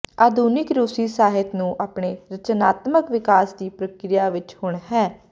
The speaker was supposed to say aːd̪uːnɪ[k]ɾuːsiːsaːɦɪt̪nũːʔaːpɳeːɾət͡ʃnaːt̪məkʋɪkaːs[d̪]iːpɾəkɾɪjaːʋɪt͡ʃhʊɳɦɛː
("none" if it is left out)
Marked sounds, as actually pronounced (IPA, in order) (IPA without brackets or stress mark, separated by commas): k, d̪